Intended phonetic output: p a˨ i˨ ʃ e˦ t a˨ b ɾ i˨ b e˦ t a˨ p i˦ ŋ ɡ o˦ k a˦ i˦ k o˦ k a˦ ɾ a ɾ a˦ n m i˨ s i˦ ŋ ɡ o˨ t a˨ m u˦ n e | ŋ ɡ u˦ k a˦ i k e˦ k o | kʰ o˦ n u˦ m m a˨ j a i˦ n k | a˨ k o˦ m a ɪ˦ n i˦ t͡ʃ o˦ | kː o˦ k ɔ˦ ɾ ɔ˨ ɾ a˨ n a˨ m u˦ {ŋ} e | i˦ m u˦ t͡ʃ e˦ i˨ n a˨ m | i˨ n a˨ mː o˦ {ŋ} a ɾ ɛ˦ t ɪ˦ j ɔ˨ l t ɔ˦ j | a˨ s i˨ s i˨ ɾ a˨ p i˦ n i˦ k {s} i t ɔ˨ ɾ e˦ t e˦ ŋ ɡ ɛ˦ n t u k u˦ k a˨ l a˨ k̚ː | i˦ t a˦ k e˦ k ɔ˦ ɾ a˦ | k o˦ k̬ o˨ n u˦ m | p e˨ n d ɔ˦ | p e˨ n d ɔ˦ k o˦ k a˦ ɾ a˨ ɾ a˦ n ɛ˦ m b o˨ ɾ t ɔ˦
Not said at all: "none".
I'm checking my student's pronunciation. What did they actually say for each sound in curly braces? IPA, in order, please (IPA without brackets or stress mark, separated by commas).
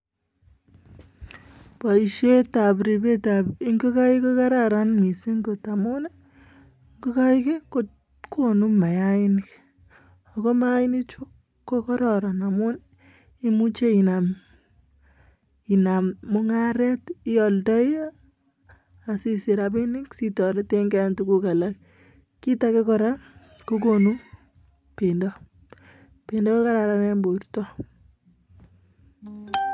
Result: n, ŋ, s